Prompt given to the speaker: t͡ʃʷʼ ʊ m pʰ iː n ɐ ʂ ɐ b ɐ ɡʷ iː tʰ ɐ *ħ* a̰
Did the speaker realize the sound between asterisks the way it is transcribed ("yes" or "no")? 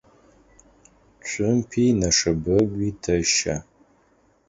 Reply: no